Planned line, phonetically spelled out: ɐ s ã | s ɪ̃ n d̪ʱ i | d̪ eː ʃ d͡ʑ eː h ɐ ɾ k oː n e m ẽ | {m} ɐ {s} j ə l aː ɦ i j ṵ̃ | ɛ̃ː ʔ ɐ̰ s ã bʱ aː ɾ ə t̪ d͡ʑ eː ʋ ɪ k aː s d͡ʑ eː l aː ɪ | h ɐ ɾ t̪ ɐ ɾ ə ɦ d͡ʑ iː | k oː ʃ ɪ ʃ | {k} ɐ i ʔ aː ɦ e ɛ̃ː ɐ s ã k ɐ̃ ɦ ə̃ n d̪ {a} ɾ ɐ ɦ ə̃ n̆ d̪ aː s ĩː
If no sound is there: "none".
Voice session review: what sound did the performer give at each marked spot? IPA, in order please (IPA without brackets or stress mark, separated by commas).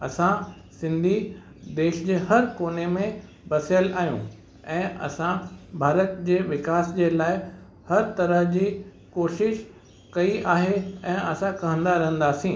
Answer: b, s, k, a